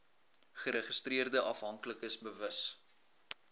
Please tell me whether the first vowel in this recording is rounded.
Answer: no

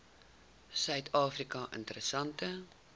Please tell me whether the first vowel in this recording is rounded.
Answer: yes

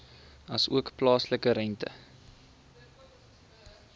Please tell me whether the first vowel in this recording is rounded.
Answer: no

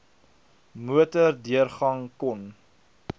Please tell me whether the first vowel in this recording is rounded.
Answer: yes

